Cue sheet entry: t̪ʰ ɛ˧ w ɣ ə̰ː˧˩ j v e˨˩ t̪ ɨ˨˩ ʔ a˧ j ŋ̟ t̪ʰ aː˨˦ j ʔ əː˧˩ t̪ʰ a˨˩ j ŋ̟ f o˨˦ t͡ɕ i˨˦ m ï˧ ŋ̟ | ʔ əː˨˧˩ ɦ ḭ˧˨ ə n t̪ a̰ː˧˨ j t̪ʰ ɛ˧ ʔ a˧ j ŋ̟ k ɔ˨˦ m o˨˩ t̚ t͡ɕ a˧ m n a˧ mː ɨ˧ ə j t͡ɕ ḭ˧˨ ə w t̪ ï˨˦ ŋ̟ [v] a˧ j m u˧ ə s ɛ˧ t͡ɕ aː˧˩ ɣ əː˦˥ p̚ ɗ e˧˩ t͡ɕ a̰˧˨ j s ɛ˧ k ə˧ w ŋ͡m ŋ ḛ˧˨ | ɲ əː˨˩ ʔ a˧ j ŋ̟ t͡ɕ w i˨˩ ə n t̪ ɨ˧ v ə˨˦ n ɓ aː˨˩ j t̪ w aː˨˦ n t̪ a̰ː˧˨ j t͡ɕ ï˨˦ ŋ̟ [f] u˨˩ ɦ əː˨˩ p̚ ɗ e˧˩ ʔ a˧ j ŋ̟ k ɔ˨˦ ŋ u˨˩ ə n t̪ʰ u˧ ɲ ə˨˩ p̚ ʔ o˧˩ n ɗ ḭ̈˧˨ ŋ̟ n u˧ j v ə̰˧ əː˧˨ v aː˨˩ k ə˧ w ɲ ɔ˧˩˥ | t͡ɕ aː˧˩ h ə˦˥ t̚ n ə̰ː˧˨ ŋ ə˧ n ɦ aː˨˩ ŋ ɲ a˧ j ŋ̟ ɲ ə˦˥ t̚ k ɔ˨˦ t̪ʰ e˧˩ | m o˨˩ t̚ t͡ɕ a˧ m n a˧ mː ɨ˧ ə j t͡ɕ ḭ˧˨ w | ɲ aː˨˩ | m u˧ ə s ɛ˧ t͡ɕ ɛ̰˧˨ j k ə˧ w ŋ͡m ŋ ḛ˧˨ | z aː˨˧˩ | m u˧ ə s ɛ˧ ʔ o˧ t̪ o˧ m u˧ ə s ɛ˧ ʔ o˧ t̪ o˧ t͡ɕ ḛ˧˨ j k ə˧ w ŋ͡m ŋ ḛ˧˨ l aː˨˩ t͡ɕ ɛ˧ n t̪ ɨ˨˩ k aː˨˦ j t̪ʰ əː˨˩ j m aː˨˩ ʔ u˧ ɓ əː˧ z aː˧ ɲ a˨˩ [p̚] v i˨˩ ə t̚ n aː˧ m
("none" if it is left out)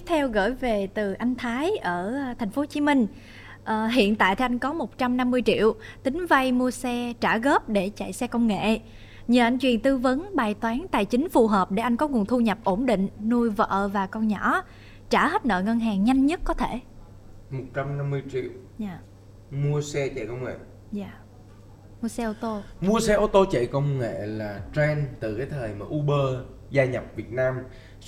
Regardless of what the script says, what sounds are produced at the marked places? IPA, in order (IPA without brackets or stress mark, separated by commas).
v, f, p̚